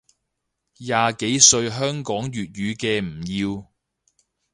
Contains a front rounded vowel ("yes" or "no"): yes